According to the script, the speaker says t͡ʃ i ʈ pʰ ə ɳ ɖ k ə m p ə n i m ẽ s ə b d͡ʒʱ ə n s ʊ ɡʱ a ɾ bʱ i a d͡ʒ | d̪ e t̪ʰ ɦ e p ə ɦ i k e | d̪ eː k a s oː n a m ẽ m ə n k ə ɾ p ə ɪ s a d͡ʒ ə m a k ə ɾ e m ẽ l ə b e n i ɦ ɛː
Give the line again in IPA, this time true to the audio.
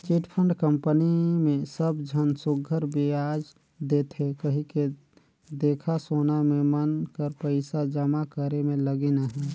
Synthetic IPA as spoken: t͡ʃ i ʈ pʰ ə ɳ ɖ k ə m p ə n i m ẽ s ə b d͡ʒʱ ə n s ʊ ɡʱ ə ɾ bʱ i a d͡ʒ | d̪ e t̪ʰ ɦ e k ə ɦ i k e | d̪ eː kʰ a s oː n a m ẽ m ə n k ə ɾ p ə ɪ s a d͡ʒ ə m a k ə ɾ e m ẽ l ə ɡ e n a ɦ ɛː